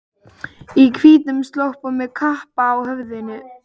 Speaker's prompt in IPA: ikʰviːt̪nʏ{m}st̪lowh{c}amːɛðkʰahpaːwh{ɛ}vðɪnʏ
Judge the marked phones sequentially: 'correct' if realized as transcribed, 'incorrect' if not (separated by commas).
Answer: correct, incorrect, incorrect